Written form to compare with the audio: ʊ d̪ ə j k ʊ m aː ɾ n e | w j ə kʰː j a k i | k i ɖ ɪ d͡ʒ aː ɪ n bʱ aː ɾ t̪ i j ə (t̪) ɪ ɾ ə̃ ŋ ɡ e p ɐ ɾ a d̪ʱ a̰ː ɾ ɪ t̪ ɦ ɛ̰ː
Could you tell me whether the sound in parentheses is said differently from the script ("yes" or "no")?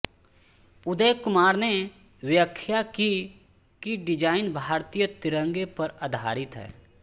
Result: no